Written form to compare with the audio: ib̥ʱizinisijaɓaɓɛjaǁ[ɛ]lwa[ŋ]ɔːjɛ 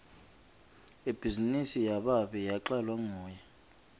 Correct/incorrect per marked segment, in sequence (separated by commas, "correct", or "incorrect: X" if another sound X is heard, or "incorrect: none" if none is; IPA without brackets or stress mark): incorrect: a, correct